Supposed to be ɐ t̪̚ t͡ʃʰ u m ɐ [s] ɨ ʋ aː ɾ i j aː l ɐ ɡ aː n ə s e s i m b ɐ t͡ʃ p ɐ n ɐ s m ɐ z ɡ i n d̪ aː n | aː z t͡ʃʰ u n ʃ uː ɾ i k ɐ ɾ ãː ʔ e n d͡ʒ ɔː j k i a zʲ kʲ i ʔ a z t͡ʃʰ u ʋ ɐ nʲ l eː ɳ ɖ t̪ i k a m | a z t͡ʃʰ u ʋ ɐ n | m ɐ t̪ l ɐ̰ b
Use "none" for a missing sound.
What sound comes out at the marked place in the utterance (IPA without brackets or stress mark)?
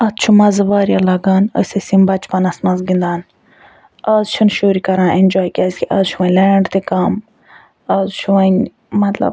z